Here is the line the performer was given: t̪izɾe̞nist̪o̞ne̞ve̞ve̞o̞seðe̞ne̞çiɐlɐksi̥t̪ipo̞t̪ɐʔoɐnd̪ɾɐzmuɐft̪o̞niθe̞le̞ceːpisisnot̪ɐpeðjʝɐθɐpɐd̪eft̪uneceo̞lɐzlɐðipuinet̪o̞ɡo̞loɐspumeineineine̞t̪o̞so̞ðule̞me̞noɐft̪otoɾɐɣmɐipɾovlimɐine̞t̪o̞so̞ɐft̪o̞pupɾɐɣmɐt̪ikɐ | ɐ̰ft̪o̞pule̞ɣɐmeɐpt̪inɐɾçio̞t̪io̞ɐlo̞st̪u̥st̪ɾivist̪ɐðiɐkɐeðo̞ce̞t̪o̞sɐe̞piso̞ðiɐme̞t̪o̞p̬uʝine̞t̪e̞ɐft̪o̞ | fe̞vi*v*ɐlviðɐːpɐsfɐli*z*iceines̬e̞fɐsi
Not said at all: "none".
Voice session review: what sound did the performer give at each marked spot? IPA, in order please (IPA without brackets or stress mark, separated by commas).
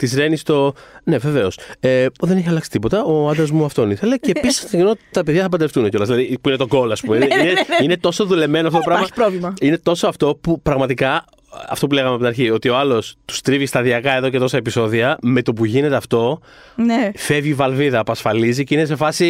v, z